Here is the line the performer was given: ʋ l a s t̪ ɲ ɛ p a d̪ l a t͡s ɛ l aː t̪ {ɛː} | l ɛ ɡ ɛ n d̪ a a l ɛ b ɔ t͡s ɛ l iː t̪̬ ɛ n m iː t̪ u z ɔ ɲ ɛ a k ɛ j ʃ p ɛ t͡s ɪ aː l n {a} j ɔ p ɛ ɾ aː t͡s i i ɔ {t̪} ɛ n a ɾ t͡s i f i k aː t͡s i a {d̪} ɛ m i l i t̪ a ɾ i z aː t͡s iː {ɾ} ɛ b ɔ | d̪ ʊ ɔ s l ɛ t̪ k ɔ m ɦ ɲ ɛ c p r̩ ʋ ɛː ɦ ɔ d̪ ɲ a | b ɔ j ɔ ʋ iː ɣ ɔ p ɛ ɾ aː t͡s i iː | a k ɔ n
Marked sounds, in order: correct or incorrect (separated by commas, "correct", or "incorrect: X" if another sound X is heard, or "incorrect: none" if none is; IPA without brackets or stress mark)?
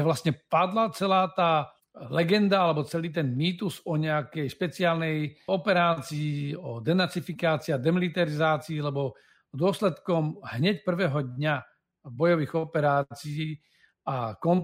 incorrect: aː, incorrect: ɛ, incorrect: d̪, correct, incorrect: l